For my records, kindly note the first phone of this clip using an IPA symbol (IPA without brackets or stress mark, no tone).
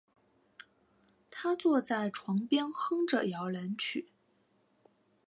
t̪ʰ